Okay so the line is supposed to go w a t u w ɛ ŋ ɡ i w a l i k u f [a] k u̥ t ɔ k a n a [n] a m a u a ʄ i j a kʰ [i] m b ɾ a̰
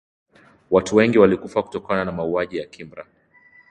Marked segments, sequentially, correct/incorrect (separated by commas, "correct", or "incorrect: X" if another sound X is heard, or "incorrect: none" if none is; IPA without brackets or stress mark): correct, correct, correct